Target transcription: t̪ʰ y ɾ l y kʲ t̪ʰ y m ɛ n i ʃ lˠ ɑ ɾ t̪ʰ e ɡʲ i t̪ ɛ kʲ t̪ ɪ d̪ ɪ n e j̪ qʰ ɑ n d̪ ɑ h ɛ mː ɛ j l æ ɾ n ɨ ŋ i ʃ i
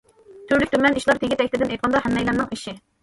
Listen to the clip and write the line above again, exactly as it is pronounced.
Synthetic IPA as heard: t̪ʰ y ɾ l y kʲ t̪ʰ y m ɛ n i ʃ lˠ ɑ ɾ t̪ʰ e ɡʲ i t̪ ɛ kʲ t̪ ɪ d̪ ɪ n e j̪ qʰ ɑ n d̪ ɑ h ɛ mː ɛ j l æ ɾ n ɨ ŋ i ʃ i